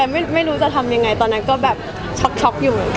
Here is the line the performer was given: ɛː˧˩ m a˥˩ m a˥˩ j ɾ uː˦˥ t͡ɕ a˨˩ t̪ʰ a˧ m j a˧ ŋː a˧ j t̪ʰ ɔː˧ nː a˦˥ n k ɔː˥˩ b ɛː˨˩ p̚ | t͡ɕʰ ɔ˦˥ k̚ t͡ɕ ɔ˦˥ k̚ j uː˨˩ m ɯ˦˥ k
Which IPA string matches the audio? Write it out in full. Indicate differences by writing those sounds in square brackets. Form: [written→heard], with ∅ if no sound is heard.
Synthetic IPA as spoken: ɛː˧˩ m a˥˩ m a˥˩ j ɾ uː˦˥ t͡ɕ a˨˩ t̪ʰ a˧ m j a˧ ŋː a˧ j [t̪ʰ→t̪] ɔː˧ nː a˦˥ n k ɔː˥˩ b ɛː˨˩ p̚ | t͡ɕʰ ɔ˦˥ k̚ [t͡ɕ→t͡ɕʰ] ɔ˦˥ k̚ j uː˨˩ m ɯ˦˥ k